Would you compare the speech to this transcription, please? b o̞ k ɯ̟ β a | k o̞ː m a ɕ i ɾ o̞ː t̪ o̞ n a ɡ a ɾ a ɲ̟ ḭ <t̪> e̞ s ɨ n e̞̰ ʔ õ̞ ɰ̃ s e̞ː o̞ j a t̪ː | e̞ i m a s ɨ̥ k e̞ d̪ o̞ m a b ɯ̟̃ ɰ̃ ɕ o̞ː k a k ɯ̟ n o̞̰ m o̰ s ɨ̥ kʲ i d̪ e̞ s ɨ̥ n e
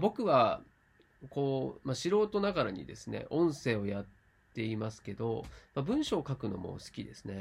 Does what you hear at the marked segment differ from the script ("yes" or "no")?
yes